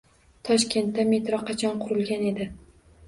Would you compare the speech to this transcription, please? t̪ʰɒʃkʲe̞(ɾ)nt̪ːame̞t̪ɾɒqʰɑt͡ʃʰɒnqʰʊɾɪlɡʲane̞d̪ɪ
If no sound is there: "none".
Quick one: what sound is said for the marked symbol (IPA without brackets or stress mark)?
none